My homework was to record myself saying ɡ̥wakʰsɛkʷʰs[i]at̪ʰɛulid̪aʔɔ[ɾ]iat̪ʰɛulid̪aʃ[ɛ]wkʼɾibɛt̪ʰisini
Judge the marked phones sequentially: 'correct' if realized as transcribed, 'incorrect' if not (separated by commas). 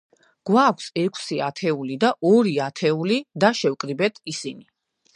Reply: correct, correct, correct